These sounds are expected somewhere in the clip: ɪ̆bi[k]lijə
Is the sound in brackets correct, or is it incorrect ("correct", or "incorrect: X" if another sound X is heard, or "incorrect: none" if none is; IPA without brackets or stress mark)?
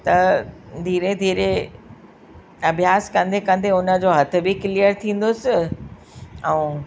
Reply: correct